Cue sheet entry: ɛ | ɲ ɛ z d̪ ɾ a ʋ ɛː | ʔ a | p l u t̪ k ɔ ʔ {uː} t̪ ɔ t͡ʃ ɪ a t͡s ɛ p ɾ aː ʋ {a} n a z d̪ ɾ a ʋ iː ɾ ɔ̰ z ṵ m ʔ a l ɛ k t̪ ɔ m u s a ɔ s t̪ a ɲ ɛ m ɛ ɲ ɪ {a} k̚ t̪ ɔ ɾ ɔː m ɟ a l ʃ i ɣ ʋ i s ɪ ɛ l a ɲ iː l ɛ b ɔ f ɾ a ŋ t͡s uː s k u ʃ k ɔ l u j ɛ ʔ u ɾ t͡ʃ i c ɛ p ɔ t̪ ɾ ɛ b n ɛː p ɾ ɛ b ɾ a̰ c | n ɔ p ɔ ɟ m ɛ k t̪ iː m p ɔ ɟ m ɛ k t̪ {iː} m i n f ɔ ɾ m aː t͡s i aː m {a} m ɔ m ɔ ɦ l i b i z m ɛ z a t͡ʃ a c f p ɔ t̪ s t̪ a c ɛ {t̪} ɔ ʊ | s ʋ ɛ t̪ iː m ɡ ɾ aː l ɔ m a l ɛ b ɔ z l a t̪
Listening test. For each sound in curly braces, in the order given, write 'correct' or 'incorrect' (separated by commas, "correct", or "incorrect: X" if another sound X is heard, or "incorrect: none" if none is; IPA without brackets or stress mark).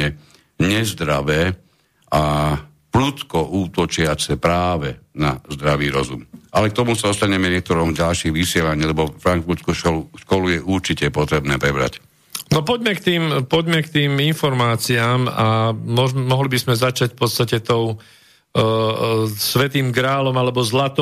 correct, incorrect: ɛ, incorrect: ɛ, correct, correct, correct